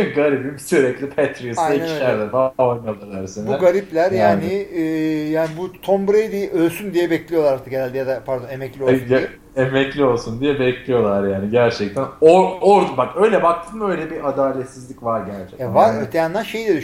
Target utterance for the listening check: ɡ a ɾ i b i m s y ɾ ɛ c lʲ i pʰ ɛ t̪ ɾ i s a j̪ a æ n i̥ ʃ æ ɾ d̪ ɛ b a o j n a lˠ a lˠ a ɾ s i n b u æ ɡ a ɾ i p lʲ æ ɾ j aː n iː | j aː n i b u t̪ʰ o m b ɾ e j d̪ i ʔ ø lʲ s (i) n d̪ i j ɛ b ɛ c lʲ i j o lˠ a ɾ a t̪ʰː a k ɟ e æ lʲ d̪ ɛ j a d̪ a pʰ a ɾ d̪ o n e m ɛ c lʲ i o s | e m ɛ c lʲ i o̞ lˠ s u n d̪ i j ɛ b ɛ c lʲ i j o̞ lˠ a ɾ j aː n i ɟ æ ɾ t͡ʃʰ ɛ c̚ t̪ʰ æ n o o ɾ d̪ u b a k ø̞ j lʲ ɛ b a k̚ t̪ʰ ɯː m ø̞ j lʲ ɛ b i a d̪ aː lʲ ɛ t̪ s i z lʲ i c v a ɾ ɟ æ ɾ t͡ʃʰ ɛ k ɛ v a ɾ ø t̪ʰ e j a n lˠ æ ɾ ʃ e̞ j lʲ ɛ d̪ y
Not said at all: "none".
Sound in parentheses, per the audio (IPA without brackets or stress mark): y